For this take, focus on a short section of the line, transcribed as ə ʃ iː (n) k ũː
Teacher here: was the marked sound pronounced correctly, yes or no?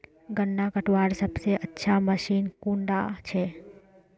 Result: yes